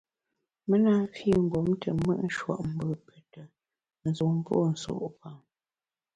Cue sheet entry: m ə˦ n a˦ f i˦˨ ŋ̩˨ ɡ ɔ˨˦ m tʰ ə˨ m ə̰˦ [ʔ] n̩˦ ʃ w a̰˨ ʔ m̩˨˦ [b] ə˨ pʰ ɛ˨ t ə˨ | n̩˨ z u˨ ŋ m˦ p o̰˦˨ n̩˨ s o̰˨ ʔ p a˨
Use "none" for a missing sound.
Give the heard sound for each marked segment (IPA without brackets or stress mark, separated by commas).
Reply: ʔ, b